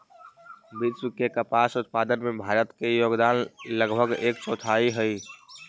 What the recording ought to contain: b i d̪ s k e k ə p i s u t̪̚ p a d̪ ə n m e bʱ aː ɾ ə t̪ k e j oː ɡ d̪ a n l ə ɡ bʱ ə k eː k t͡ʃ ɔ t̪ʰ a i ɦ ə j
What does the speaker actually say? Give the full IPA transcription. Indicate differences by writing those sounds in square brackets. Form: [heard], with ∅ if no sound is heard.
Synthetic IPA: b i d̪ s k e k ə p [a] s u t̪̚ p a d̪ ə n m e bʱ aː ɾ ə t̪ k e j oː ɡ d̪ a n l ə ɡ bʱ ə [ɡ] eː k t͡ʃ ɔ t̪ʰ a i ɦ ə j